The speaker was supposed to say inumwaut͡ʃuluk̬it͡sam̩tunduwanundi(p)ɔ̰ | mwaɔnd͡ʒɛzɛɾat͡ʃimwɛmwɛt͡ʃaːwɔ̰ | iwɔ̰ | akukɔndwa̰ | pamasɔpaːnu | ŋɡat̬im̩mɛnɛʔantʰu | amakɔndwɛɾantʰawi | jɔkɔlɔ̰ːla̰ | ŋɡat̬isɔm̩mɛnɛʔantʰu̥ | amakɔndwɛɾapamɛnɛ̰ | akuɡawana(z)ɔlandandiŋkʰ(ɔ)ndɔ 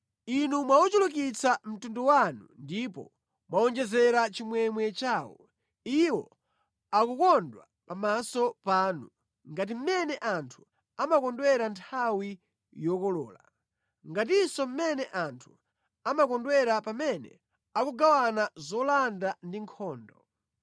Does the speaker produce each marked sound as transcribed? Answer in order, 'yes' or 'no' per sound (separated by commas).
yes, yes, no